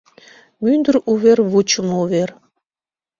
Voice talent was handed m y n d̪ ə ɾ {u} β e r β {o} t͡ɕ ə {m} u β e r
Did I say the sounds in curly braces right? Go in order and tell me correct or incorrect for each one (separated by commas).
correct, incorrect, correct